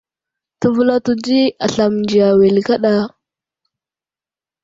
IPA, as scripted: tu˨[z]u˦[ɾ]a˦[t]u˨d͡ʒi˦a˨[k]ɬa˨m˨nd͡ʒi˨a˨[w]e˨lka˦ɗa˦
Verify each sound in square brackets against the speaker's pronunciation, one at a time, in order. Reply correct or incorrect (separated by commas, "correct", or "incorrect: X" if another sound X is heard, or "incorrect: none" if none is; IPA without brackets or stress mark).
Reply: incorrect: v, incorrect: l, correct, incorrect: none, correct